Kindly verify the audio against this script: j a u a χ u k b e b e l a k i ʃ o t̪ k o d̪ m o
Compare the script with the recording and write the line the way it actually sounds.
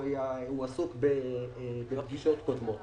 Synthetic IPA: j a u a s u k b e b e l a ɡ i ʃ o t̪ k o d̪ m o